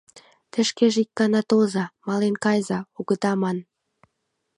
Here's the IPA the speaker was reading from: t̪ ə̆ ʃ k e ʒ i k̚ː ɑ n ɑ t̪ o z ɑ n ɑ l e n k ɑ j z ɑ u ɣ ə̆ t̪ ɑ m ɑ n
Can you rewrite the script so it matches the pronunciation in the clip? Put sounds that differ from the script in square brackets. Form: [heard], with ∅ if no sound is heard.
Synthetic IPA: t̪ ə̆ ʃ k e ʒ i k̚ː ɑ n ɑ t̪ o z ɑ [m] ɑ l e n k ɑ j z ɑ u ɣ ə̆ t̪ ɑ m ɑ n